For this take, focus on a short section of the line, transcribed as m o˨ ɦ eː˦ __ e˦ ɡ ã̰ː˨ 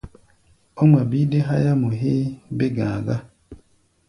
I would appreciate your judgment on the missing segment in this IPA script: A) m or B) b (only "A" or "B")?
B